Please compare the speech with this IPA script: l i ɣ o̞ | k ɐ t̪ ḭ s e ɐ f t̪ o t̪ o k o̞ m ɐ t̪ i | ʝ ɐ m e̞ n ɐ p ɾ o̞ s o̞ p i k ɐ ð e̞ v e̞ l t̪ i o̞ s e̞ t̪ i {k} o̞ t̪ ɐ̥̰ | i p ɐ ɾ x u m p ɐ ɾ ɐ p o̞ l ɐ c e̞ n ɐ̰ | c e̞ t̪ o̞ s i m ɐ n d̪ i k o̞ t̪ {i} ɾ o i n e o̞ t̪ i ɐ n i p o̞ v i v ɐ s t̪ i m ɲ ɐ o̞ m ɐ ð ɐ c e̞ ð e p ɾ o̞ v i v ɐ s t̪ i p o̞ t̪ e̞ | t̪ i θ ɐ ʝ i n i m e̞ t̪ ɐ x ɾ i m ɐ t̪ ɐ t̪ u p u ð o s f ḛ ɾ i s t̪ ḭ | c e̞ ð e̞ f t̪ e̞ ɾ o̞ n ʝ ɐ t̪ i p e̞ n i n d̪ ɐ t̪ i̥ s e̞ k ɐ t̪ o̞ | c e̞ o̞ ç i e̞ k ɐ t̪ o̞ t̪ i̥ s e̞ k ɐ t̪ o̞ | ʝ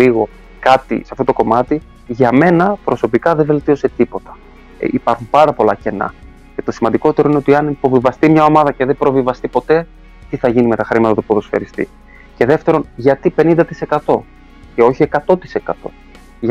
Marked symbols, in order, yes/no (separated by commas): no, no